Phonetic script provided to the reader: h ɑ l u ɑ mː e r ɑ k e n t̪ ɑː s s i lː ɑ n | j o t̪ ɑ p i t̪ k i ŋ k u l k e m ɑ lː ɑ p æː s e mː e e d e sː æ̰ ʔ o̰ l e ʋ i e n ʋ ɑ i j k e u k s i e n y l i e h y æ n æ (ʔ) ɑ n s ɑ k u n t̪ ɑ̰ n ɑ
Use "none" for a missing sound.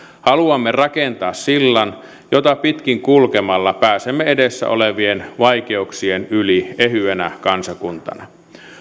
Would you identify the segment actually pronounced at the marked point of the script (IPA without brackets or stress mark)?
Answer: k